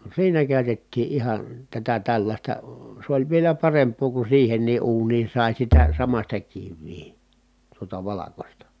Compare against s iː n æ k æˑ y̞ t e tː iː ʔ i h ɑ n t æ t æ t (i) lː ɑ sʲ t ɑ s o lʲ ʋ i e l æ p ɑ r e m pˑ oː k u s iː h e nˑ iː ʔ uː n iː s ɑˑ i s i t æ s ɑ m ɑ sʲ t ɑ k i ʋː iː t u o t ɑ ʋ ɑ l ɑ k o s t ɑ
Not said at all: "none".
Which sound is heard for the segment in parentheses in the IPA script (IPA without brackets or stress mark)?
æ